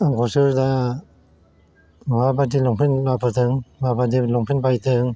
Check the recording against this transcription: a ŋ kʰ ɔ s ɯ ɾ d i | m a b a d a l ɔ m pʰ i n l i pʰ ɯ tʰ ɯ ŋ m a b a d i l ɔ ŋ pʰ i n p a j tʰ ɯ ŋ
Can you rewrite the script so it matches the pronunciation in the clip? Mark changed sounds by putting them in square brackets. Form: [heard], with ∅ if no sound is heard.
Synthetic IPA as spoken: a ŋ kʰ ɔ s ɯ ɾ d [a] | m a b a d [i] l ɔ [ŋ] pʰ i n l [a] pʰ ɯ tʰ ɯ ŋ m a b a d i l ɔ ŋ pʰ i n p a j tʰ ɯ ŋ